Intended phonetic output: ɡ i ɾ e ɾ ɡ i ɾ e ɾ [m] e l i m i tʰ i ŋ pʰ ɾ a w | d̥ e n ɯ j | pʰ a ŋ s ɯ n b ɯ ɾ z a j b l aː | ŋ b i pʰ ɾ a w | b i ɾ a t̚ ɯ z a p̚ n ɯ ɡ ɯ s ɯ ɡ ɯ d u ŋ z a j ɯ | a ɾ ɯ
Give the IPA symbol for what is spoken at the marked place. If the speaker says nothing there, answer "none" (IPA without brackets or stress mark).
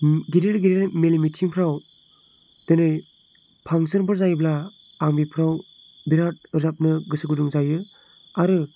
m